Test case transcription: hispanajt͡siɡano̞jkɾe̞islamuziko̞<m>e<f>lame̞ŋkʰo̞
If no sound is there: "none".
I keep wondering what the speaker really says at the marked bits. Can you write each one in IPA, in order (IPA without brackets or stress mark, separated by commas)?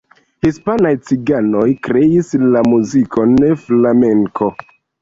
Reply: n, f